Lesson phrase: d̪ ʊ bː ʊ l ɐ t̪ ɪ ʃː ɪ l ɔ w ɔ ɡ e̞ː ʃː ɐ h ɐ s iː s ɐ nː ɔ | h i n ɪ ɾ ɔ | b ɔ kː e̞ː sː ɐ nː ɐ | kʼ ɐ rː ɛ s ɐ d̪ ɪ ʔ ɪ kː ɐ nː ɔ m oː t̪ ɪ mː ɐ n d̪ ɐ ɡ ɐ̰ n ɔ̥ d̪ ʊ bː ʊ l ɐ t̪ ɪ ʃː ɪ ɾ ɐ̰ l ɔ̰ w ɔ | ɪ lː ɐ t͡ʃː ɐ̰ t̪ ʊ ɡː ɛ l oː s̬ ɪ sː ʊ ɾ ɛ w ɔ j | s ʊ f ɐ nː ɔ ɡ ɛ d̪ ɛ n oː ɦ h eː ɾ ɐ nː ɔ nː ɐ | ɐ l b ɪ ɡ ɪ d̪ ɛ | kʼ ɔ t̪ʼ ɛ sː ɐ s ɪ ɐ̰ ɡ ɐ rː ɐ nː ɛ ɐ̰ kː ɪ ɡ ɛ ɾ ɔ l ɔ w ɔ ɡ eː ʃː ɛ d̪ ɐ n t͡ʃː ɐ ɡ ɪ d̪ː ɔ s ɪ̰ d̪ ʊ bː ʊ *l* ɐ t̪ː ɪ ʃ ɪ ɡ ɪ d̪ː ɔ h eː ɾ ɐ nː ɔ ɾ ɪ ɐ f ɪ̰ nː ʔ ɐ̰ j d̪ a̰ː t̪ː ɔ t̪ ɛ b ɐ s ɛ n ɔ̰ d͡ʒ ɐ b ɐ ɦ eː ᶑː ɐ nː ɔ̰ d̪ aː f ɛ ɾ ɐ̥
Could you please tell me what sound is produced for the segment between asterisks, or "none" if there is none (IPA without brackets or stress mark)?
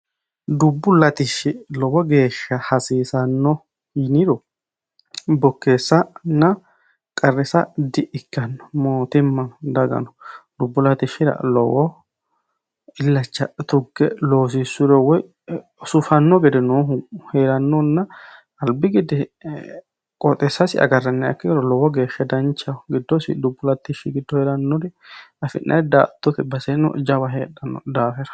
l